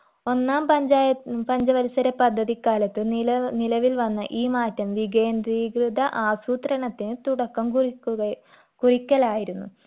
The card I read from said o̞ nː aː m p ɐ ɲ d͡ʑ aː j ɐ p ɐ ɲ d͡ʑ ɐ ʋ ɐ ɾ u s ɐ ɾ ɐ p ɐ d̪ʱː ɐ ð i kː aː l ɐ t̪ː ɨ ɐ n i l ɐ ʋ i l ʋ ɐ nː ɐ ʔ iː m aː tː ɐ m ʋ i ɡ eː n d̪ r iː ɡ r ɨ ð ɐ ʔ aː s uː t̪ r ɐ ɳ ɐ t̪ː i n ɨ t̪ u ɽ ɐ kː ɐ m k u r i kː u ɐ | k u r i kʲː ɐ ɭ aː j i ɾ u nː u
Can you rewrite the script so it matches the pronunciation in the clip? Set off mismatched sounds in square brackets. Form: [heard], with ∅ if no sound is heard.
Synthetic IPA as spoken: o̞ nː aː m p ɐ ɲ d͡ʑ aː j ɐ p ɐ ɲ d͡ʑ ɐ ʋ ɐ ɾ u s ɐ ɾ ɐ p ɐ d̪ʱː ɐ ð i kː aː l ɐ t̪ː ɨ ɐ n i l ɐ ʋ i l ʋ ɐ nː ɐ ʔ iː m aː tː ɐ m ʋ i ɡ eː n d̪ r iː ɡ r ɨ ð ɐ ʔ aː s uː t̪ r ɐ ɳ ɐ t̪ː i n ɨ t̪ u ɽ ɐ kː ɐ m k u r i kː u ɐ | k u r i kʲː ɐ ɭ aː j i ɾ u nː u